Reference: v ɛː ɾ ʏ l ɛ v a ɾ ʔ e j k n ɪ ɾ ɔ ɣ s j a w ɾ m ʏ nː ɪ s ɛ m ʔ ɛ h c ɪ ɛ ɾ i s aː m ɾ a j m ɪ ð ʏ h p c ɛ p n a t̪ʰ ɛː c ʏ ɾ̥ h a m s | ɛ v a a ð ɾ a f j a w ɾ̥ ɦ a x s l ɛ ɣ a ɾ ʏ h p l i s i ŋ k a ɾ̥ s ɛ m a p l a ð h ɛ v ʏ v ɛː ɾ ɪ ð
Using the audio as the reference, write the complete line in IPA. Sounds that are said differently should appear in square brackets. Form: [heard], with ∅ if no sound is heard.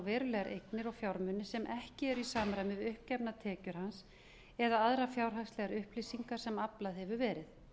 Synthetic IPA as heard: v ɛː ɾ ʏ l ɛ [ɣ] a ɾ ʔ e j k n ɪ ɾ ɔ ɣ [f] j a w ɾ m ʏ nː ɪ s ɛ m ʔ ɛ h c ɪ ɛ ɾ i s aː m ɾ a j m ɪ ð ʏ h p c ɛ p n a t̪ʰ ɛː c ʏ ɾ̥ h a [n] s | ɛ [ð] a a ð ɾ a f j a w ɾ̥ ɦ a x s l ɛ ɣ a ɾ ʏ h p l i s i ŋ k a ɾ̥ s ɛ m a p l a ð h ɛ v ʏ v ɛː ɾ ɪ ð